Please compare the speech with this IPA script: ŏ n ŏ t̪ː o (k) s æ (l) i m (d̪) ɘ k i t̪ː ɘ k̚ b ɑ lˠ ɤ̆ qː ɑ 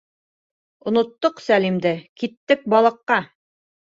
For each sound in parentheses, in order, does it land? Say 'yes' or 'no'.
no, yes, yes

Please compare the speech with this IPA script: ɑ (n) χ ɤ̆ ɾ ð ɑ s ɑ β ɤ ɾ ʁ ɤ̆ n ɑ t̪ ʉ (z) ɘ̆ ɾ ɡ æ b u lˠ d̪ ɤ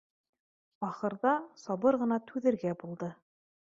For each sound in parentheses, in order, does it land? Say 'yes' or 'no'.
no, no

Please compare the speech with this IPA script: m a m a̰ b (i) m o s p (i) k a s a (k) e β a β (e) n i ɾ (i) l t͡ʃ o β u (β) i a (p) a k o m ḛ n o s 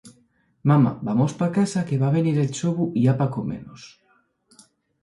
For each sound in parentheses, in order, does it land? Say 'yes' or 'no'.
no, no, yes, yes, no, no, yes

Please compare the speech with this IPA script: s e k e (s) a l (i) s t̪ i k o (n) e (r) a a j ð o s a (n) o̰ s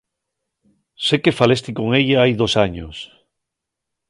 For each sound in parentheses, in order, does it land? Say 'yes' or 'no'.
no, no, no, no, no

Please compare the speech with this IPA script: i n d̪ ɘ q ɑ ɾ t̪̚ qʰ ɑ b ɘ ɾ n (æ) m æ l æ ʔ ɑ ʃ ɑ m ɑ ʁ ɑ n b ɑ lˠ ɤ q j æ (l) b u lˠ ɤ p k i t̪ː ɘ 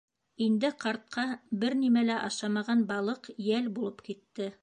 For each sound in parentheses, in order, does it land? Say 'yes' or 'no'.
no, yes

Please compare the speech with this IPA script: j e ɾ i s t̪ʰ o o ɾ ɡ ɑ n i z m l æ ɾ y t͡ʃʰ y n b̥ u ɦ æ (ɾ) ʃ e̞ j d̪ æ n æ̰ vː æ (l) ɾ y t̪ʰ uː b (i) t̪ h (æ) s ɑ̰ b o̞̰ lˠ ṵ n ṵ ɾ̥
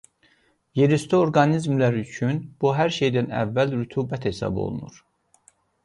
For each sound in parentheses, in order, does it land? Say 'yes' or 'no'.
yes, yes, no, no

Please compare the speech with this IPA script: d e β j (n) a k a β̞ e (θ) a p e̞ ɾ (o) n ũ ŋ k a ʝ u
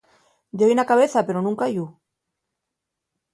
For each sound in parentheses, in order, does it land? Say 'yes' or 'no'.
yes, yes, yes

